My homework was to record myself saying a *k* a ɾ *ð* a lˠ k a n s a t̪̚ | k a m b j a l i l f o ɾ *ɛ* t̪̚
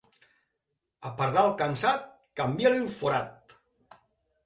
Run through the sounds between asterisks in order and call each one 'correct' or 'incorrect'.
incorrect, correct, incorrect

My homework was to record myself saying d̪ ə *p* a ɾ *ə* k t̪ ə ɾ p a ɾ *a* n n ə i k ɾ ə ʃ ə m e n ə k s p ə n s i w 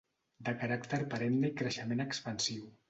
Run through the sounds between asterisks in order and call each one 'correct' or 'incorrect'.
incorrect, incorrect, incorrect

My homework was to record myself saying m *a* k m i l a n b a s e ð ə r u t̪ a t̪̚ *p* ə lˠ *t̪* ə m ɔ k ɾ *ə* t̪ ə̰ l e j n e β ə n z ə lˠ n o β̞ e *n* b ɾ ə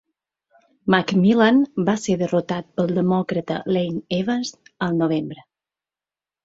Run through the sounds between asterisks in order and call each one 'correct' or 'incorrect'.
correct, correct, incorrect, correct, incorrect

